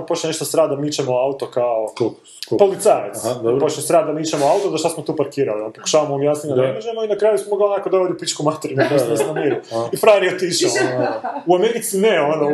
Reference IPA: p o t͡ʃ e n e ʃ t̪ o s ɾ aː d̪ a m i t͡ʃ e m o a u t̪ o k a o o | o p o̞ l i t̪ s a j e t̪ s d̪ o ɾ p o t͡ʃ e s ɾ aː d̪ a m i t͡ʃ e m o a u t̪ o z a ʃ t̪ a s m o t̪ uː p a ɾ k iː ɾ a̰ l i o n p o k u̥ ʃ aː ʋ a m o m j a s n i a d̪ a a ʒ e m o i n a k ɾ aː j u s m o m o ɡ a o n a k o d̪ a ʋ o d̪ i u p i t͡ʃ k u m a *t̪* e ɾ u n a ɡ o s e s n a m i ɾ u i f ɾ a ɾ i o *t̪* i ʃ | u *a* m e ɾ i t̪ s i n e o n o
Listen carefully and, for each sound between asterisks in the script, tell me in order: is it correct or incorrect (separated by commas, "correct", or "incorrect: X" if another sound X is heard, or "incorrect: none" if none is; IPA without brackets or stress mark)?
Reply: correct, correct, correct